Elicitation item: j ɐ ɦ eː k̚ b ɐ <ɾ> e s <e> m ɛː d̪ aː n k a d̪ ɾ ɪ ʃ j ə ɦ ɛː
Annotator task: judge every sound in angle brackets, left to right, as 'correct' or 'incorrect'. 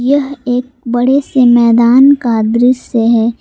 incorrect: ɽ, correct

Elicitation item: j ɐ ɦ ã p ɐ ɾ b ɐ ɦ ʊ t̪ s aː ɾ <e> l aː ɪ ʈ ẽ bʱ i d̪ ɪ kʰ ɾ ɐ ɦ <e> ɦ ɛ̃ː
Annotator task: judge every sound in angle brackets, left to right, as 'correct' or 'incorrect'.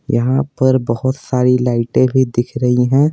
incorrect: i, incorrect: i

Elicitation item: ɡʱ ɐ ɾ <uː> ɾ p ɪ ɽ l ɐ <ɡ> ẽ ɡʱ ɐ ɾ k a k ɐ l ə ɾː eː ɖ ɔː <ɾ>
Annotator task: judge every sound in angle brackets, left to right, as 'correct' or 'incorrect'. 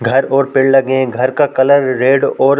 incorrect: ɔː, correct, correct

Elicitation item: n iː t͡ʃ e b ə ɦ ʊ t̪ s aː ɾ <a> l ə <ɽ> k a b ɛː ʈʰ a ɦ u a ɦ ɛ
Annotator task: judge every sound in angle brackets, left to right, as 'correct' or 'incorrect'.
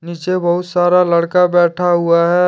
correct, correct

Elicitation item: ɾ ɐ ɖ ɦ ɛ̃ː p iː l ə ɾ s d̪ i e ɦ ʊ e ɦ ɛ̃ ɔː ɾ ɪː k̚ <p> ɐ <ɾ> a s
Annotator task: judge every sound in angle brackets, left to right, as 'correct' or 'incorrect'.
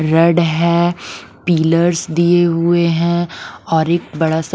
incorrect: b, incorrect: ɽ

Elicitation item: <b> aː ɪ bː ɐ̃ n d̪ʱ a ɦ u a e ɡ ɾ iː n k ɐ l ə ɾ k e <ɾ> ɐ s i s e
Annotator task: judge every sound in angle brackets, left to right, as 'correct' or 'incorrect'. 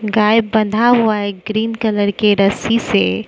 incorrect: ɡ, correct

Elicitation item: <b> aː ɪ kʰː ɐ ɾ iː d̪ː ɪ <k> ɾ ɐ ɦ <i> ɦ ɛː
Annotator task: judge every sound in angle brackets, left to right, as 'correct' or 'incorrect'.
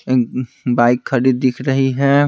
correct, incorrect: kʰ, correct

